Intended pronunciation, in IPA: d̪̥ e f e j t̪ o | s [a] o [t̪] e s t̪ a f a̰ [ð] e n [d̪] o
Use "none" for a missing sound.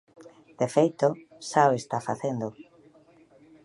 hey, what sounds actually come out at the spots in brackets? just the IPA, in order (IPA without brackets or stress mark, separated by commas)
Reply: a, none, θ, d̪